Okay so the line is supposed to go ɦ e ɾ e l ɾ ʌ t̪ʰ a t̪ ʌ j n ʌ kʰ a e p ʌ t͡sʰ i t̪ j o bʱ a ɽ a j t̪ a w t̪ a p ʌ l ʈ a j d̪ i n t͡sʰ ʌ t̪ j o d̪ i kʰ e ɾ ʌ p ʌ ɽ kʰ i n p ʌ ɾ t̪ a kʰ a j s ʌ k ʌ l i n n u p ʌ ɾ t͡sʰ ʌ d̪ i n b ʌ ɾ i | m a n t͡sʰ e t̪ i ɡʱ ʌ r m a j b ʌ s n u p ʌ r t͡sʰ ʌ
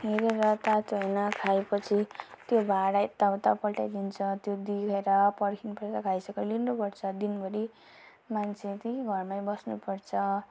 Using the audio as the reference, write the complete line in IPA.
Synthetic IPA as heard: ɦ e ɾ e ɾ ʌ t̪ a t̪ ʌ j n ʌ kʰ a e p ʌ t͡sʰ i t̪ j o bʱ a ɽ a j t̪ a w t̪ a p ʌ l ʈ a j d̪ i n t͡sʰ ʌ t̪ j o d̪ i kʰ e ɾ ʌ p ʌ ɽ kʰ i n p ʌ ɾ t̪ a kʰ a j s ʌ k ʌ l i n n u p ʌ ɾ t͡sʰ ʌ d̪ i n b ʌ ɾ i | m a n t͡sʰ e t̪ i ɡʱ ʌ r m a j b ʌ s n u p ʌ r t͡sʰ ʌ